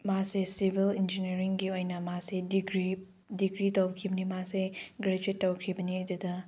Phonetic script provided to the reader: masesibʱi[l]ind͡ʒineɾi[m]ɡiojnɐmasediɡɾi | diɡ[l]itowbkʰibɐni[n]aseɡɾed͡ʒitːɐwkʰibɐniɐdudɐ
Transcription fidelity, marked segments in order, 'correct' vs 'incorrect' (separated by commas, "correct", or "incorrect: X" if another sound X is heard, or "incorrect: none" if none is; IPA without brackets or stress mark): correct, incorrect: ŋ, incorrect: ɾ, incorrect: m